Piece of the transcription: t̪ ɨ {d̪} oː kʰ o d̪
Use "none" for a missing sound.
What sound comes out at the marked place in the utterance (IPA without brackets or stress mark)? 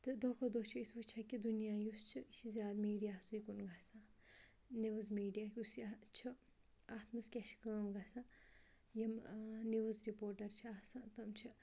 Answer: d̪